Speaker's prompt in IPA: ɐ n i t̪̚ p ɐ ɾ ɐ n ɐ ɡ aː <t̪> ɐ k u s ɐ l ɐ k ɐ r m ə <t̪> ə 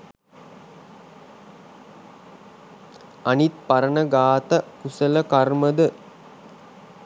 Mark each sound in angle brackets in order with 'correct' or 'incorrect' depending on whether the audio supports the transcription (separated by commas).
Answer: correct, incorrect